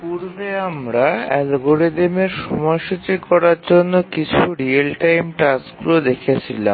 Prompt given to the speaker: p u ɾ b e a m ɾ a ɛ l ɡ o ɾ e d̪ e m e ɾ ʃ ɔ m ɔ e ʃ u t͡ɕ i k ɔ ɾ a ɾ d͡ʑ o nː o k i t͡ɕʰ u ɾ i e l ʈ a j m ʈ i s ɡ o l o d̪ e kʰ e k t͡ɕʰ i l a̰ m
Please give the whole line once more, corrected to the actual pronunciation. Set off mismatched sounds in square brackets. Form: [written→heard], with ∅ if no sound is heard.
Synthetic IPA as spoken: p u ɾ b e a m ɾ a ɛ l ɡ o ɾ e d̪ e m e ɾ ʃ ɔ m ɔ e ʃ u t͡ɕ i k ɔ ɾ a ɾ d͡ʑ o nː o k i t͡ɕʰ u ɾ i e l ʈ a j m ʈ [i→a] s ɡ [o→u] l o d̪ e kʰ e [k→∅] t͡ɕʰ i l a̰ m